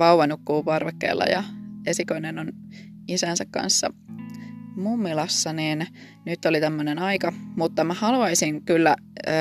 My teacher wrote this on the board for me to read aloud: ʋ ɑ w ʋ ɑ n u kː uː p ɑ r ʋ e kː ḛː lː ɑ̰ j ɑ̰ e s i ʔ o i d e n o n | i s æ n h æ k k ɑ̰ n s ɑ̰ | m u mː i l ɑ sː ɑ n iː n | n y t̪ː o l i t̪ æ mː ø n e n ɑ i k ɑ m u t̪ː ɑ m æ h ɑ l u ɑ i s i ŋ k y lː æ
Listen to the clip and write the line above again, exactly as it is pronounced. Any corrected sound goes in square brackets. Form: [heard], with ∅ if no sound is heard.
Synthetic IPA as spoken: ʋ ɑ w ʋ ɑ n u kː uː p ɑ r ʋ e kː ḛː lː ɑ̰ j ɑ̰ e s i [k] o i [n] e n o n | i s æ n [s] æ k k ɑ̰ n [sː] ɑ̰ | m u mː i l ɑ sː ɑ n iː n | n y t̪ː o l i t̪ æ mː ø n e n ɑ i k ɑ m u t̪ː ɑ m æ h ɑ l u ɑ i s i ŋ k y lː æ